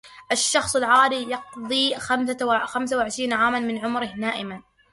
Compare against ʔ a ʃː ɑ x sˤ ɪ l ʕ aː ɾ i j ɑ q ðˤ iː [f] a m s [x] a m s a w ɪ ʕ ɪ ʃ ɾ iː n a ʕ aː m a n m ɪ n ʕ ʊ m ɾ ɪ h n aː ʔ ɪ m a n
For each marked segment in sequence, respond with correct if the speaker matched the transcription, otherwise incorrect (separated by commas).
incorrect, correct